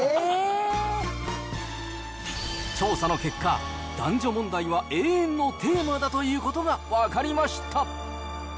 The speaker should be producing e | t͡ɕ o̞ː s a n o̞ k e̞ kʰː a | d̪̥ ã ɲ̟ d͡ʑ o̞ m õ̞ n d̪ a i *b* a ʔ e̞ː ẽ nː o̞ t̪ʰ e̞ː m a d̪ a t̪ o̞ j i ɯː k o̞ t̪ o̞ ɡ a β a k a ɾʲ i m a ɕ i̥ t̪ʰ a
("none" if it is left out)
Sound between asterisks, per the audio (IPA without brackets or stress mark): β